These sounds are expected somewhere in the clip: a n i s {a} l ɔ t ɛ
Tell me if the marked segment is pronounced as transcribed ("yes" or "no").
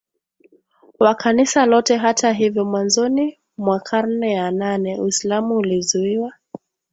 yes